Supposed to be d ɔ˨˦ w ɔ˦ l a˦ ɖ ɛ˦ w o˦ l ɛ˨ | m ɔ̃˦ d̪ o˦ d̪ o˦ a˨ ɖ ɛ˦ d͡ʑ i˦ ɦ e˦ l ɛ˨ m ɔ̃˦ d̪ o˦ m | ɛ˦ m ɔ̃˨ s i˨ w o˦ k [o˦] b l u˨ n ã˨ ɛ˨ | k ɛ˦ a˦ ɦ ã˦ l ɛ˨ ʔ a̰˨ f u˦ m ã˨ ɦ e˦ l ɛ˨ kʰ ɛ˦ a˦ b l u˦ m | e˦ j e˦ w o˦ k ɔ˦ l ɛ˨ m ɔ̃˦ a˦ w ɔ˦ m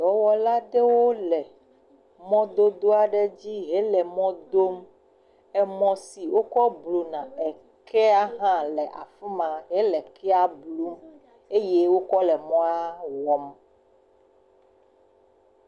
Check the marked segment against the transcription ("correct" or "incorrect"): incorrect